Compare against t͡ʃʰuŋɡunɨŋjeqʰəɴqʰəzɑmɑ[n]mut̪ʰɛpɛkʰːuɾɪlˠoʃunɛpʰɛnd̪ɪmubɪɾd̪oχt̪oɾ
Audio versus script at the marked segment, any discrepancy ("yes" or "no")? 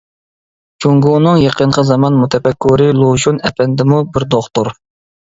no